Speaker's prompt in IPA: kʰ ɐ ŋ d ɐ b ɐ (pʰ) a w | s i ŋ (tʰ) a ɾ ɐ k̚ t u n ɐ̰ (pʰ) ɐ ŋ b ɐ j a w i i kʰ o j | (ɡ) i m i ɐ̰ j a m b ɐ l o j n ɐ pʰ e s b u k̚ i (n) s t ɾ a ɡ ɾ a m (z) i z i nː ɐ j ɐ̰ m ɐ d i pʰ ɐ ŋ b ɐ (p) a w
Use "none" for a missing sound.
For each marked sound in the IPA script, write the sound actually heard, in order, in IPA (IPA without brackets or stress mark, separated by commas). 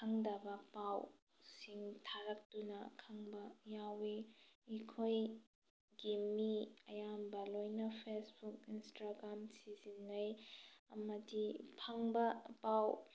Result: p, tʰ, kʰ, ɡ, n, s, p